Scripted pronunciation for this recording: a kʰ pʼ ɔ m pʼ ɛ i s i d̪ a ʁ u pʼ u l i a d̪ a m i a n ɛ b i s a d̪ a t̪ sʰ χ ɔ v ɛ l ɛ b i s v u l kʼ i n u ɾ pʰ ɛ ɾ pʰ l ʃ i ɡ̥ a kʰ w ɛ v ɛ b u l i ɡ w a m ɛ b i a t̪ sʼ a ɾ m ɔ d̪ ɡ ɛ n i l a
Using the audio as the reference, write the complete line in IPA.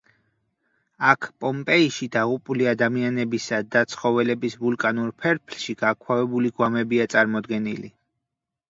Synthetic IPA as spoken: a kʰ pʼ ɔ m pʼ ɛ i ʃ i d̪ a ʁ u pʼ u l i a d̪ a m i a n ɛ b i s a d̪ a t̪ sʰ χ ɔ v ɛ l ɛ b i s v u l kʼ a n u ɾ pʰ ɛ ɾ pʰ l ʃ i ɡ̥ a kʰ w a v ɛ b u l i ɡ w a m ɛ b i a t̪ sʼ a ɾ m ɔ d̪ ɡ ɛ n i l i